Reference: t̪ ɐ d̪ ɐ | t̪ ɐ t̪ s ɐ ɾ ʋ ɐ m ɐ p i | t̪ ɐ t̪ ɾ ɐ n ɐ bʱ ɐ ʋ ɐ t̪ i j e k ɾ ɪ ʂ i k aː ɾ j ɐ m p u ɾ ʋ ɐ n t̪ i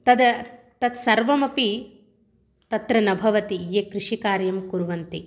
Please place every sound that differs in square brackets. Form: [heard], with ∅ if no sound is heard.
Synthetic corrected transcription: t̪ ɐ d̪ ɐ | t̪ ɐ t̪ s ɐ ɾ ʋ ɐ m ɐ p i | t̪ ɐ t̪ ɾ ɐ n ɐ bʱ ɐ ʋ ɐ t̪ i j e k ɾ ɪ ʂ i k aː ɾ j ɐ m [k] u ɾ ʋ ɐ n t̪ i